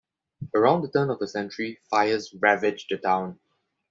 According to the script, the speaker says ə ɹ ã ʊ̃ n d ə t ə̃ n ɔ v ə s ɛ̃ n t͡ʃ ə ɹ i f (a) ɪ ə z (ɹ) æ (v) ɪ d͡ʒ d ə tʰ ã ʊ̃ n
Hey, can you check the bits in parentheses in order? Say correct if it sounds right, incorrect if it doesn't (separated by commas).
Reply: correct, correct, correct